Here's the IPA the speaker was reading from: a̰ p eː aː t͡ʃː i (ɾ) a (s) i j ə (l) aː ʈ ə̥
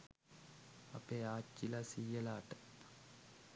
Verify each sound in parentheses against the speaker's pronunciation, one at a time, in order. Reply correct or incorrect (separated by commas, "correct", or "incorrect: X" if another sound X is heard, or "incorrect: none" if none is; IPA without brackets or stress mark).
incorrect: l, correct, correct